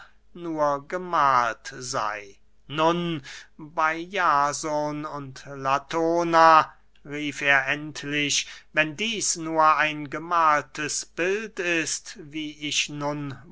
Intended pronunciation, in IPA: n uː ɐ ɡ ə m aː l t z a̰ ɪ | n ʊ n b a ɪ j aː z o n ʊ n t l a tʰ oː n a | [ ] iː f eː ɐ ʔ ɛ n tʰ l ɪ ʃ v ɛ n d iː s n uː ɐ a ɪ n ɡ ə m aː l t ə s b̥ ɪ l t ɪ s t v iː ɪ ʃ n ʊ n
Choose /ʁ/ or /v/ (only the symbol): ʁ